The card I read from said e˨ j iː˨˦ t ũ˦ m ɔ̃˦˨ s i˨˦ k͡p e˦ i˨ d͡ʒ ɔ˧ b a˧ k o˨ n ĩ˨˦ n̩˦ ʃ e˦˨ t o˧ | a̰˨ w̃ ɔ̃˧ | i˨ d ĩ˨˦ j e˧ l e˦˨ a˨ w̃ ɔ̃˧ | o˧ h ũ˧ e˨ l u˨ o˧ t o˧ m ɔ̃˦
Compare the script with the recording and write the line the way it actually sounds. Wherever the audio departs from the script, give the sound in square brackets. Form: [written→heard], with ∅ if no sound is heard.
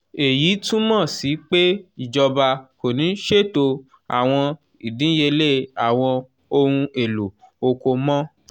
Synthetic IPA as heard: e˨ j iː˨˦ t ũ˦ m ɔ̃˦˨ s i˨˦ k͡p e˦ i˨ d͡ʒ ɔ˧ b a˧ k o˨ n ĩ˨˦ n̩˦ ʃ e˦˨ t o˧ | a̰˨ w̃ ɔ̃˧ | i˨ d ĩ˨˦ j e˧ l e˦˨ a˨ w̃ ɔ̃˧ | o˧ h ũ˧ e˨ l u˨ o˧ [t→k] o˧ m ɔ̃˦